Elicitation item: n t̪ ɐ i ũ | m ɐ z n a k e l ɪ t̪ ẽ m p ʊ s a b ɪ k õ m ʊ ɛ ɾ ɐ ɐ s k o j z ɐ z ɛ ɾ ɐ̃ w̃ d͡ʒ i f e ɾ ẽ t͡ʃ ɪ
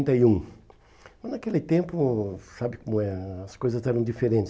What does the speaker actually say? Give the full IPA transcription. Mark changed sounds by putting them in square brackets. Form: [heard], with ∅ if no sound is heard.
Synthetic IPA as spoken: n t̪ ɐ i ũ | m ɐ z n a k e l ɪ t̪ ẽ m p ʊ s a b ɪ k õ m ʊ ɛ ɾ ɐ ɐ s k o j z ɐ z ɛ ɾ ɐ̃ w̃ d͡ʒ i f e ɾ ẽ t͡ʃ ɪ